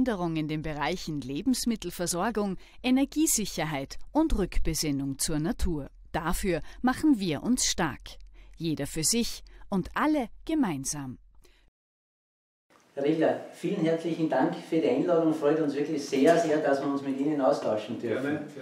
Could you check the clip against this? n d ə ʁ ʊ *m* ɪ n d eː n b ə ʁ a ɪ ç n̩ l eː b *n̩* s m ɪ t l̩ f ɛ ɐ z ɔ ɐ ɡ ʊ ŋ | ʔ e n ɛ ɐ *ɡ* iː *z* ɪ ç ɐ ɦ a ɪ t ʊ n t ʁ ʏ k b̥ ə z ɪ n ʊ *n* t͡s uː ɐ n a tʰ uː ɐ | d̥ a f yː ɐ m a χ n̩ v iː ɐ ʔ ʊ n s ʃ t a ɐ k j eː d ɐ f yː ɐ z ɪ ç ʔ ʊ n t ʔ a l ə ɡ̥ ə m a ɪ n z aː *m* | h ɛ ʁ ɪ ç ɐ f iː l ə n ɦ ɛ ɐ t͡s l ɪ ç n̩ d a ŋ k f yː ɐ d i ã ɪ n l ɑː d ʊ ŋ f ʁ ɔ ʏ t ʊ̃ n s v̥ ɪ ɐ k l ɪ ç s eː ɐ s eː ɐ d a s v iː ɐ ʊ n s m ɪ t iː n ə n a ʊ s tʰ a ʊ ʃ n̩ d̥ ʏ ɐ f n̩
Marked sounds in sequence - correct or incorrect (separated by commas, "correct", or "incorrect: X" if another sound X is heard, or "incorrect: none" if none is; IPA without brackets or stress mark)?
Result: incorrect: ŋ, incorrect: m̩, correct, correct, incorrect: ŋ, correct